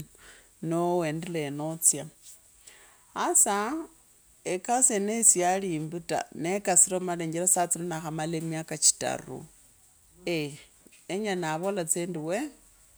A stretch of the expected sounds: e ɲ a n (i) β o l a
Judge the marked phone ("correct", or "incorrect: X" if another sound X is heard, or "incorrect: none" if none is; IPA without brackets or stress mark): incorrect: a